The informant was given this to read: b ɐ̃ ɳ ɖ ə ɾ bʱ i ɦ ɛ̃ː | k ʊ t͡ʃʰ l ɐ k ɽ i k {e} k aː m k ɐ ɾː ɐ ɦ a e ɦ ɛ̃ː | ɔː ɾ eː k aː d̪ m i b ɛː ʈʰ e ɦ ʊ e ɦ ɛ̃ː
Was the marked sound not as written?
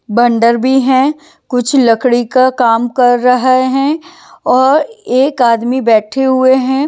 yes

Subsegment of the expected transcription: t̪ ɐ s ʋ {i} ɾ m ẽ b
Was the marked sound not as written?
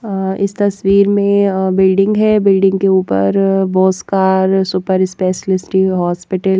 yes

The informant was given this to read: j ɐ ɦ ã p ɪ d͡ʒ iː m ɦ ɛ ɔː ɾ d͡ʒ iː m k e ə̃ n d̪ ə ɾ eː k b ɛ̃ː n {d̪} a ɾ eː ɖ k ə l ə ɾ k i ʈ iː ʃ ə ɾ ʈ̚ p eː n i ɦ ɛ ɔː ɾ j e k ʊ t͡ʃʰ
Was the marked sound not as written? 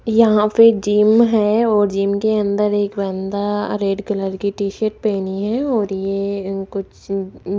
no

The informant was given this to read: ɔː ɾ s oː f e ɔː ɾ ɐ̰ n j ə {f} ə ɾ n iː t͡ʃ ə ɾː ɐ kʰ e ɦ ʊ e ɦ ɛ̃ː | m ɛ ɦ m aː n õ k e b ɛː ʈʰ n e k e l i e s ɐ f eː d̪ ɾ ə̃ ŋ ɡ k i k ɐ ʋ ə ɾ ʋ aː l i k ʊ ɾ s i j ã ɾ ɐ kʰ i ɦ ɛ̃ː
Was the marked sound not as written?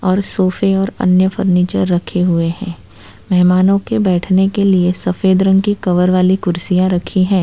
no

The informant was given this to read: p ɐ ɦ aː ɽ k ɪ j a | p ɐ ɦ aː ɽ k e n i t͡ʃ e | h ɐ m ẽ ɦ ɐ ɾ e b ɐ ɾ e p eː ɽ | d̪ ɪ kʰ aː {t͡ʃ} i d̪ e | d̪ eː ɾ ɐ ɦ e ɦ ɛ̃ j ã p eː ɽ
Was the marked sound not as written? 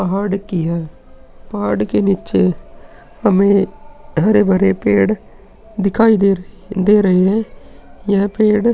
yes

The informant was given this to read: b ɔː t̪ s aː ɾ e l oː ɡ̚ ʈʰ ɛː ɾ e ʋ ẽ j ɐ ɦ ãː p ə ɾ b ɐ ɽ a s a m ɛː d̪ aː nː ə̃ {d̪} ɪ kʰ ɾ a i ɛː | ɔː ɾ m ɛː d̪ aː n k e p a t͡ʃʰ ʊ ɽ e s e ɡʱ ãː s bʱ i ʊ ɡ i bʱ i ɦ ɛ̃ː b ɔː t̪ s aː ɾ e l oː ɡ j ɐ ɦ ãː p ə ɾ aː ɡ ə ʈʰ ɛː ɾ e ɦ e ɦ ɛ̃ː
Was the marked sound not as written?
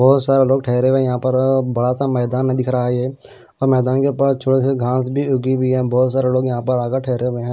no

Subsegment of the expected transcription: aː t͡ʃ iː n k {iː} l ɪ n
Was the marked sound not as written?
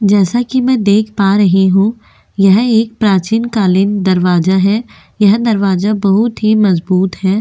yes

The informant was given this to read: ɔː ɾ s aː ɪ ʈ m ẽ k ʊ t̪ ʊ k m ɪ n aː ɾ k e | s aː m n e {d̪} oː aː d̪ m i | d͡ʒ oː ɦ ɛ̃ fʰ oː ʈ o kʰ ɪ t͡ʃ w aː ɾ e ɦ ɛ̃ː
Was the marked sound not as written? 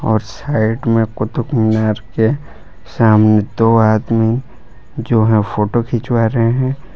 no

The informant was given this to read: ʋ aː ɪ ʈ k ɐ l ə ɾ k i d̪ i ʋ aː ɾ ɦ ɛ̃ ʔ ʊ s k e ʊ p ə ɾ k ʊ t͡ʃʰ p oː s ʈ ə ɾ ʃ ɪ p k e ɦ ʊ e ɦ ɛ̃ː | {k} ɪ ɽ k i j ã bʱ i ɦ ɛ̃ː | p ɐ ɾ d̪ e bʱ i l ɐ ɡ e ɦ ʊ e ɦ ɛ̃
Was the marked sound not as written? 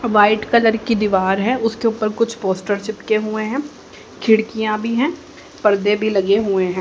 yes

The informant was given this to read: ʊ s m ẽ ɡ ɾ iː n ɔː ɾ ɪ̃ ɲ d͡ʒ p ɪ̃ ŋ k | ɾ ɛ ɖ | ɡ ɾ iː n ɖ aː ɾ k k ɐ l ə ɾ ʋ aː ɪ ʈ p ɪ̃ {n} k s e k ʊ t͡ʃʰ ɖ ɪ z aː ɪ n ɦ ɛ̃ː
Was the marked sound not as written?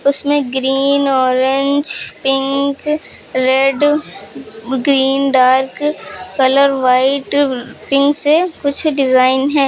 yes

